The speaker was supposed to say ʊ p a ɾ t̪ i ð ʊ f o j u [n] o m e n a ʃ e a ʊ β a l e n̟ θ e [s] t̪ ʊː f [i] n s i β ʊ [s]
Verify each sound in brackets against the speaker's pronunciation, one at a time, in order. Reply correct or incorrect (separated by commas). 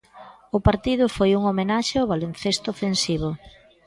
incorrect, correct, incorrect, incorrect